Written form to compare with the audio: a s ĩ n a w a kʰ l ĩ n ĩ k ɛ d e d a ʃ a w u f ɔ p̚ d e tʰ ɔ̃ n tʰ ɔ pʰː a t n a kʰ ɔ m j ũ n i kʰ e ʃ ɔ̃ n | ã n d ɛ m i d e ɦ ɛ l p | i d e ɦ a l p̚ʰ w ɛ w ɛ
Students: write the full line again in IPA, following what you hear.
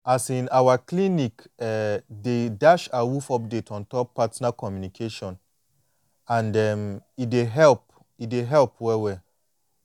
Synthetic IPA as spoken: a s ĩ n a w a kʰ l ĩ n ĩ k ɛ d e d a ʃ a w u f ɔ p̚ d e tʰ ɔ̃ n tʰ ɔ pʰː a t n a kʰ ɔ m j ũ n i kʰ e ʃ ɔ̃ n | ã n d ɛ m i d e ɦ ɛ l p | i d e ɦ ɛ l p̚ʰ w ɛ w ɛ